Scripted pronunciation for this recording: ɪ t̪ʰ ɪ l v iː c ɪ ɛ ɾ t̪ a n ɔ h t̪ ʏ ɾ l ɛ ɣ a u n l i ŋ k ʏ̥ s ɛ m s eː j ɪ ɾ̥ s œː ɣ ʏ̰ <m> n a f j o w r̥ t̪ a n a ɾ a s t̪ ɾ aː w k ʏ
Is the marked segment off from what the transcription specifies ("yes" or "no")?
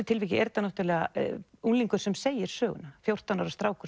yes